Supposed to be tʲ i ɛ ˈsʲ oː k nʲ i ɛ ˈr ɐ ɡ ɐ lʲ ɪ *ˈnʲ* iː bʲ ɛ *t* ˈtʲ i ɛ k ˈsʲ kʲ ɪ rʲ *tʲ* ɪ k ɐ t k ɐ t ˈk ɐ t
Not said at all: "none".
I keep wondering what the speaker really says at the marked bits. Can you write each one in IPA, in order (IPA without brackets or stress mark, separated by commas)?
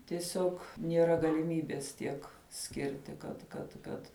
mʲ, s, tʲ